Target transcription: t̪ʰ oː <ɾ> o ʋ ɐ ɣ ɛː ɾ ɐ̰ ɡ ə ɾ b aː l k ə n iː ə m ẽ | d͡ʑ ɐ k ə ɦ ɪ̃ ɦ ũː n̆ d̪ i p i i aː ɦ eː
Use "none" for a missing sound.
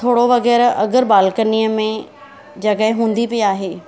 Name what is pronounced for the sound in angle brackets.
ɽ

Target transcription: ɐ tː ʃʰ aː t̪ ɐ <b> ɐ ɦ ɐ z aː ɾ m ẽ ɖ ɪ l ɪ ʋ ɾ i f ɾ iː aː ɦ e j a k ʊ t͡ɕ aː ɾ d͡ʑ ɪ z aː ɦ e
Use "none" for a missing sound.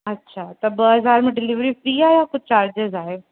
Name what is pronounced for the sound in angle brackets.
b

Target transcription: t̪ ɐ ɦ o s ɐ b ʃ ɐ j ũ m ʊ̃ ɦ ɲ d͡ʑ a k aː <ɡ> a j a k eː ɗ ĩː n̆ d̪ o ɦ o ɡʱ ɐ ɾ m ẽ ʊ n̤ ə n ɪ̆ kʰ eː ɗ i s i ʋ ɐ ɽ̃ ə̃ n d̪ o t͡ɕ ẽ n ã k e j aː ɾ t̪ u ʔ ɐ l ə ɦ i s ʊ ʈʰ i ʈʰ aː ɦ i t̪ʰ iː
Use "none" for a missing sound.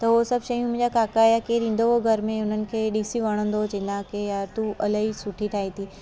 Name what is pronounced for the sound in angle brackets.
k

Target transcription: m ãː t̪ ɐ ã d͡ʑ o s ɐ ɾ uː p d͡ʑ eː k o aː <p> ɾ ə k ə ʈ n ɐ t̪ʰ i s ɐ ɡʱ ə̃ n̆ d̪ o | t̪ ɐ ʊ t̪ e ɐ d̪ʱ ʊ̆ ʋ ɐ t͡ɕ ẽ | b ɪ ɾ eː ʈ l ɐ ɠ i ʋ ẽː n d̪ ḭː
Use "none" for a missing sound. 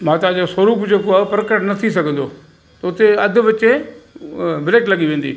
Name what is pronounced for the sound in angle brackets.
p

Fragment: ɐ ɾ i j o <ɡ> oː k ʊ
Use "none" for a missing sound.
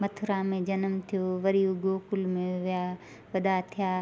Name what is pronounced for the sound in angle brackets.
ɡ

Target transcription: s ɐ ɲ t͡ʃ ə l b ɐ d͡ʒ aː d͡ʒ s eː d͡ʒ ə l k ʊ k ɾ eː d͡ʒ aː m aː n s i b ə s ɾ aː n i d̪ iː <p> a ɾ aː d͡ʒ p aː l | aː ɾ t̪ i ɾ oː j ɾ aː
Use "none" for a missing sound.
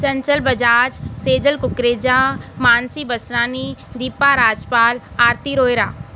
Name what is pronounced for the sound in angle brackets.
p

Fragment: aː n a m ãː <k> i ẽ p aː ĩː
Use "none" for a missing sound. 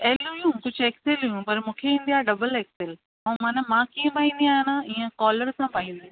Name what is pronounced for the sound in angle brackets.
k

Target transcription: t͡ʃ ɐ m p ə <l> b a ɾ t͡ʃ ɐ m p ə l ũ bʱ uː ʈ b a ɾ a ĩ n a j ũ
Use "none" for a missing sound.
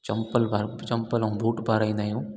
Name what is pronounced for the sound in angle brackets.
l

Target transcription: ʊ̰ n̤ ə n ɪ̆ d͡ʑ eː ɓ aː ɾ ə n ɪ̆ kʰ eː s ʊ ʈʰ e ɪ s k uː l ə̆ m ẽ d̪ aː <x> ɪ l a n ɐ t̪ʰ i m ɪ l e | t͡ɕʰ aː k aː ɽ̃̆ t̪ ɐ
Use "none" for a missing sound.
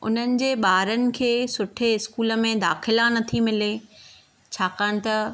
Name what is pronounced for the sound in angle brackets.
x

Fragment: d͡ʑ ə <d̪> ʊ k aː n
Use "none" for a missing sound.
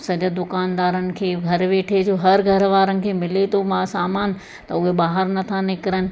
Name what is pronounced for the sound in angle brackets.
d̪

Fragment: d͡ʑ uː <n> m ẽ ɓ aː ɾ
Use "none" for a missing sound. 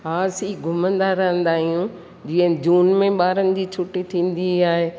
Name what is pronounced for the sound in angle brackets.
n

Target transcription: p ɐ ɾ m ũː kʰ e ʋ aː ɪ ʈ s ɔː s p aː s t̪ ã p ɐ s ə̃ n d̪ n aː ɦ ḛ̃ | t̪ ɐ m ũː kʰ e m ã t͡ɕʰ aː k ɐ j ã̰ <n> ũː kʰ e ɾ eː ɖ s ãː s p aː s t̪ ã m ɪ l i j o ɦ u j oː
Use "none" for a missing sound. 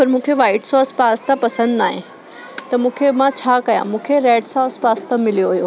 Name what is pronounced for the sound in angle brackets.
m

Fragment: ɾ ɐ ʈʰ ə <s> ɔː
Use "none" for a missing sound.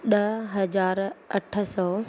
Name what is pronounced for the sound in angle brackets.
s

